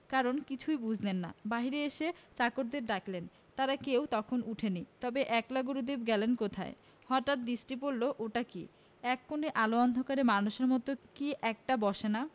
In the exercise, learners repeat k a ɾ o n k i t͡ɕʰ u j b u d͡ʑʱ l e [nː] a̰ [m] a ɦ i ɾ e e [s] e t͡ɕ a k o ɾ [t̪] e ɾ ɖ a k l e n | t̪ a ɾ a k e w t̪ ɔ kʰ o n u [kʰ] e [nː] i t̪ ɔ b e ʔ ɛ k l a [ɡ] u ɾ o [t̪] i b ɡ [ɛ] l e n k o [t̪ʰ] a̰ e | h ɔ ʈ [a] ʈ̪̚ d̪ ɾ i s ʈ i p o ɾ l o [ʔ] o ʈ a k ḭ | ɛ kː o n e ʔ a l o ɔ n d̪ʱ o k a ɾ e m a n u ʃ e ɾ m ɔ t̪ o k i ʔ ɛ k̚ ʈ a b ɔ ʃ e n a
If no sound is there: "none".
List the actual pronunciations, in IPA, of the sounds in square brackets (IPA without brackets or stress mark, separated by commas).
nː, b, ʃ, d̪, ʈʰ, n, ɡ, d̪, ɛ, t̪ʰ, a, ʔ